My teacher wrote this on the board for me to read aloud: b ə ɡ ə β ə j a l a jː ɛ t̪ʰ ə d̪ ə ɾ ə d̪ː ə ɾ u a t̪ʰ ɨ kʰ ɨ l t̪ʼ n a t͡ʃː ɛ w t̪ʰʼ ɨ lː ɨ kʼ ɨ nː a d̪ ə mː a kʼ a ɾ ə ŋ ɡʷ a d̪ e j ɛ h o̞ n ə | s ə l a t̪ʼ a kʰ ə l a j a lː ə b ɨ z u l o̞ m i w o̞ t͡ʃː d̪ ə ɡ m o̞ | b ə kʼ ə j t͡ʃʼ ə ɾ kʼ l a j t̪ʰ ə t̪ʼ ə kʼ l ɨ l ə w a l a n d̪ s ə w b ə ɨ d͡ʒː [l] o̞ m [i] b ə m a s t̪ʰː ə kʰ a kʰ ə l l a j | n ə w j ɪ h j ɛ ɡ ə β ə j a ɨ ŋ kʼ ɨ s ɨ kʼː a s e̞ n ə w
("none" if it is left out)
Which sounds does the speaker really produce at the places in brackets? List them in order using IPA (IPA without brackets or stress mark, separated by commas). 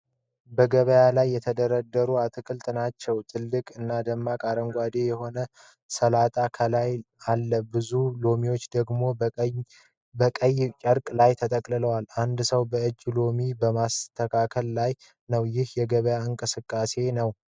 l, i